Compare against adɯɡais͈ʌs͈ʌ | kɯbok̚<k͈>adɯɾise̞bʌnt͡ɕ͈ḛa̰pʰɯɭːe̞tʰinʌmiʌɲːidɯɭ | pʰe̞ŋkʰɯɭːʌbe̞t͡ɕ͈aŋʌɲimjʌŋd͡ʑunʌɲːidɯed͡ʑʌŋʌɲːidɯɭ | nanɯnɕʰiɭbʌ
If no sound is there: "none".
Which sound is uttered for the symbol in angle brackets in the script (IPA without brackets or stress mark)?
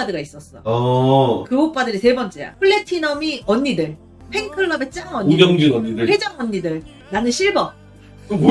p͈